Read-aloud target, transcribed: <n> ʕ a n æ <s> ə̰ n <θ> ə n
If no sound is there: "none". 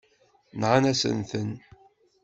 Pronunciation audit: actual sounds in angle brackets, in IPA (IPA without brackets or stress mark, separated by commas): n, s, θ